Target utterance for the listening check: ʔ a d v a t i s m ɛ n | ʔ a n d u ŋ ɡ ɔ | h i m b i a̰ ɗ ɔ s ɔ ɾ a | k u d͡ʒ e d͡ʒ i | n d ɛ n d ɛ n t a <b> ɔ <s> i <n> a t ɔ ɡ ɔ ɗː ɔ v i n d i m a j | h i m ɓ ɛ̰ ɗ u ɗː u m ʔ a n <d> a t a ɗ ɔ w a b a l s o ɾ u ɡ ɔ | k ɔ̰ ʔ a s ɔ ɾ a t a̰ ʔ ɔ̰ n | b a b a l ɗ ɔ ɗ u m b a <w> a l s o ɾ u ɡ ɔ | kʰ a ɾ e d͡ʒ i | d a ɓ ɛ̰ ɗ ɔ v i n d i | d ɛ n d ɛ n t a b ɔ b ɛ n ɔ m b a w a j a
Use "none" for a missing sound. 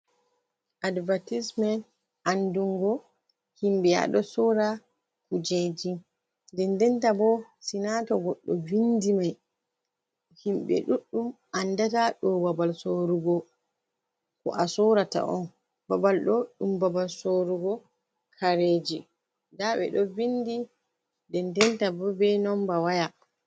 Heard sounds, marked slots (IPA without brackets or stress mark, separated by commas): b, s, n, d, b